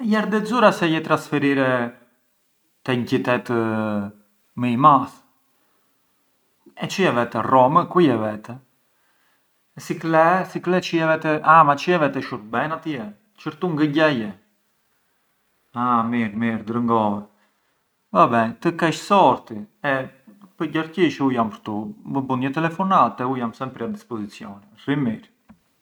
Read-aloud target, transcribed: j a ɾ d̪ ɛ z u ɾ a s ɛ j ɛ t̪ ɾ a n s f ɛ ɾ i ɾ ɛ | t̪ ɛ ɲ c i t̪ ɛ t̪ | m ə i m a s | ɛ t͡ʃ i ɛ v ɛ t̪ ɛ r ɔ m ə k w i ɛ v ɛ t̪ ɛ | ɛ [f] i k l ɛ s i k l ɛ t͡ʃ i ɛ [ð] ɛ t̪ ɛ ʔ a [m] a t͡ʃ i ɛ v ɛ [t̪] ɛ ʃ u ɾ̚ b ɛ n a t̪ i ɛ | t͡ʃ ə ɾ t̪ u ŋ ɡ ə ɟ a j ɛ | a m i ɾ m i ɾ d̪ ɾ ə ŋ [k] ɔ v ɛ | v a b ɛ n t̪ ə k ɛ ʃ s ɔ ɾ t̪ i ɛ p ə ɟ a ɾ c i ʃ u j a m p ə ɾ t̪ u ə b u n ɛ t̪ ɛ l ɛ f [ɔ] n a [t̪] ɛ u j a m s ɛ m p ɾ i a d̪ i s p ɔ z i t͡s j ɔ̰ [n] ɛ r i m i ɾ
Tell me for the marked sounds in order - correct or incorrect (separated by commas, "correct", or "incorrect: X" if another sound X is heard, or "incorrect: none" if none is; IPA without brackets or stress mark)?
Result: incorrect: s, incorrect: v, correct, correct, incorrect: ɡ, correct, correct, correct